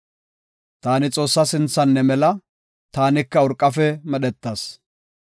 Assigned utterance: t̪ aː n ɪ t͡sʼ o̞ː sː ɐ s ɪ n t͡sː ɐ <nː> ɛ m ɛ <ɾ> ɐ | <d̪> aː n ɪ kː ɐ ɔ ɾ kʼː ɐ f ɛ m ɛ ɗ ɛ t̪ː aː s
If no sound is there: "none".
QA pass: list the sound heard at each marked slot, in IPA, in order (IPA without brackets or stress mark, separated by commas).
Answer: nː, l, t̪